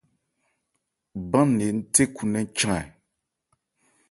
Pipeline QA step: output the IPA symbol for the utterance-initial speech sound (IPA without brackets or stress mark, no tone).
b